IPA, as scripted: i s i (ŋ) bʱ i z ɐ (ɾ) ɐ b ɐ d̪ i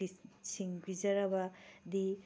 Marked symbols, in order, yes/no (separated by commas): yes, yes